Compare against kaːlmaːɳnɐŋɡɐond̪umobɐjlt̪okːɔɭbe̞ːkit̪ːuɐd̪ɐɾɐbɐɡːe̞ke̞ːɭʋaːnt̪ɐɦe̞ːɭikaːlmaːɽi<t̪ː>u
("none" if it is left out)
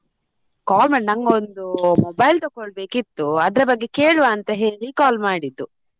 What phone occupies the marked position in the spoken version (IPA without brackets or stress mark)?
d̪ː